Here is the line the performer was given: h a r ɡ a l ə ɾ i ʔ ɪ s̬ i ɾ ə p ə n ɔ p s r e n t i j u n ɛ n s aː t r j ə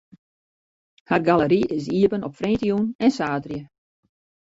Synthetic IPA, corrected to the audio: h a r ɡ a l ə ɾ i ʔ ɪ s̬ i ə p ə n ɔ p f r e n t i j u n ɛ n s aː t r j ə